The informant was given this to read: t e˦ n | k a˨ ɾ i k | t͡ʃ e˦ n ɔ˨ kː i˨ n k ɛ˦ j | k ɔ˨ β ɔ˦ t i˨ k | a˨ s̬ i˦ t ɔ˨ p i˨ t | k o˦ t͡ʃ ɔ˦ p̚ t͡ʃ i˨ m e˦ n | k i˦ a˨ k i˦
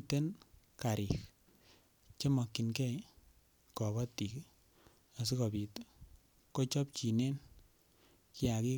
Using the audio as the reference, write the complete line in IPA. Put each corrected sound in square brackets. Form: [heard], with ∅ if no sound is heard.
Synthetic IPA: t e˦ n | k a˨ ɾ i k | t͡ʃ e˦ [m] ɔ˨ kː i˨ n k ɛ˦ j | k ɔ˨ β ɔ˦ t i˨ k | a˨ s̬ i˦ [k] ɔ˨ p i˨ t | k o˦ t͡ʃ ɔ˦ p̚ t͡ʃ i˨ [n] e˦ n | k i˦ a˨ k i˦